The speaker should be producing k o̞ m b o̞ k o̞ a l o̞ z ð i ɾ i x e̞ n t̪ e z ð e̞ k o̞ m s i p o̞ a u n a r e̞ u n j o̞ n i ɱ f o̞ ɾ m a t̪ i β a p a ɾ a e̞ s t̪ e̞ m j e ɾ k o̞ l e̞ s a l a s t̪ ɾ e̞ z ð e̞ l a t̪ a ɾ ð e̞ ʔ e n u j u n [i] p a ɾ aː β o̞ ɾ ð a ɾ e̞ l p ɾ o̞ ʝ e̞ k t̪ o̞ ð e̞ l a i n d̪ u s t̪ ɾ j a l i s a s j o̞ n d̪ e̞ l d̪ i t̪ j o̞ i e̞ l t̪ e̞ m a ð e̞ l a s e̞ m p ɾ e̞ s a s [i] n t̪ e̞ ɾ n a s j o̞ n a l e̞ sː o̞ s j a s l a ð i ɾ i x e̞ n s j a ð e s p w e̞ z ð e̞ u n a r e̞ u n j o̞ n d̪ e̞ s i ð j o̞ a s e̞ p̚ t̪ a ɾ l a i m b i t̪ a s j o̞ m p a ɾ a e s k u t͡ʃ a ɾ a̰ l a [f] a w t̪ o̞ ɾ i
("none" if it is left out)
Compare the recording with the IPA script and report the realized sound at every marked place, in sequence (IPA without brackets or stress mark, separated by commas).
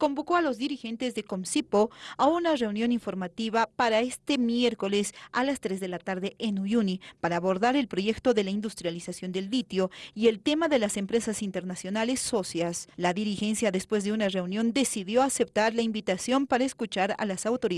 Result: i, i, s